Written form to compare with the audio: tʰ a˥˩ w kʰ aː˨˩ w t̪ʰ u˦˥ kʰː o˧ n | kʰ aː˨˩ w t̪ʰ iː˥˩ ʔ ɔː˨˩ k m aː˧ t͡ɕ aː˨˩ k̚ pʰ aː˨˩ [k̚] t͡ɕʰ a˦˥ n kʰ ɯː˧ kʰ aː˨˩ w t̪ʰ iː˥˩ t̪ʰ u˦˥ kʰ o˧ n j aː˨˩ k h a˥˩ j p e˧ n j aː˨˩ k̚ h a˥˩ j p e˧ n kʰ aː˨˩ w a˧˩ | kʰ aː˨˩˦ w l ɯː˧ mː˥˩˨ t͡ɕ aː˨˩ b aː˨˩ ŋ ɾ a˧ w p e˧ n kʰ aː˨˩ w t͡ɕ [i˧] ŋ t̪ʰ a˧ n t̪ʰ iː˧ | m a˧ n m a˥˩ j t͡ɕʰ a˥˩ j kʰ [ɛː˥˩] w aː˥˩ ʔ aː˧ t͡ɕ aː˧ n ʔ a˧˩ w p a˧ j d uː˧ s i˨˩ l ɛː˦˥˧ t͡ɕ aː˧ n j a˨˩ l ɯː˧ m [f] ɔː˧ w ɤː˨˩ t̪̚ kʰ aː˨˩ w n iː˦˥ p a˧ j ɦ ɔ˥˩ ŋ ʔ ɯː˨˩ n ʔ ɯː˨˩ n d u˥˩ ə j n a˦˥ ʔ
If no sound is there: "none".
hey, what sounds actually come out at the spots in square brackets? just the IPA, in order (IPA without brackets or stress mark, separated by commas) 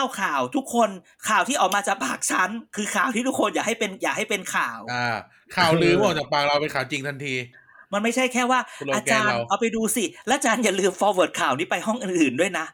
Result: k̚, i˧, ɛː˥˩, f